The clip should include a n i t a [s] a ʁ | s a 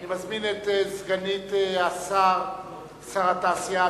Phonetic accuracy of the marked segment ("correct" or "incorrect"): correct